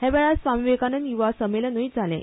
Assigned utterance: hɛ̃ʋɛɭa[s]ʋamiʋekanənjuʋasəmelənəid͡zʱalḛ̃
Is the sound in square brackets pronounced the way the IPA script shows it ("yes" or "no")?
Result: yes